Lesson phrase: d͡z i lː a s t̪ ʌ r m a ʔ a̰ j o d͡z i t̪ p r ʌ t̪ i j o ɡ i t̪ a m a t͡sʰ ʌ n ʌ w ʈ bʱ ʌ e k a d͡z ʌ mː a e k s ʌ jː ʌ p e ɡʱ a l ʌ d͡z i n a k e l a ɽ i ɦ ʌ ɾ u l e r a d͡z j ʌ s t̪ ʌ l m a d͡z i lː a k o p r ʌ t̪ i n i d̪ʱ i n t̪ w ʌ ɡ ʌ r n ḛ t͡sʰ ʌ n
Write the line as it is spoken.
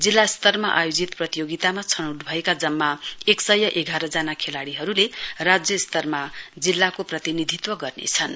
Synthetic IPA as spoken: d͡z i lː a s t̪ ʌ r m a ʔ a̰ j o d͡z i t̪ p r ʌ t̪ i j o ɡ i t̪ a m a t͡sʰ ʌ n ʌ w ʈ bʱ ʌ e k a d͡z ʌ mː a e k s ʌ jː ʌ ʔ e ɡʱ a ɾ ʌ d͡z a n a kʰ e l a ɽ i ɦ ʌ ɾ u l e r a d͡z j ʌ s t̪ ʌ r m a d͡z i lː a k o p r ʌ t̪ i n i d̪ʱ i t̪ w ʌ ɡ ʌ r n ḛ t͡sʰ ʌ n